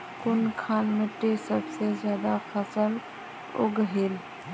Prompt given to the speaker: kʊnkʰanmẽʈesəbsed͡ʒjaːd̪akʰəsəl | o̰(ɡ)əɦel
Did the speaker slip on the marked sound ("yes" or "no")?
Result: no